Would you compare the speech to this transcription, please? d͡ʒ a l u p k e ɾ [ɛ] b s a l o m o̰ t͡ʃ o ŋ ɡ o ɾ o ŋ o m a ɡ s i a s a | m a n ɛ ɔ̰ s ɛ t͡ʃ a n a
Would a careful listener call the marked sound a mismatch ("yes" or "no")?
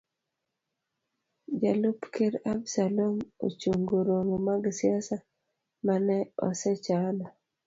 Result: yes